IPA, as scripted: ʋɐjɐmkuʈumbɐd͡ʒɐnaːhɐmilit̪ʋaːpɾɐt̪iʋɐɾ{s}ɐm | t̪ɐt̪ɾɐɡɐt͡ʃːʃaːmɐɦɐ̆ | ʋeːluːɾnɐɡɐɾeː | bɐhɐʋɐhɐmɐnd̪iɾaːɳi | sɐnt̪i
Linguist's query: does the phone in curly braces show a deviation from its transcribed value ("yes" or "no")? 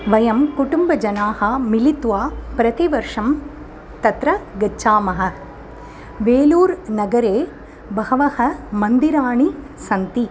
yes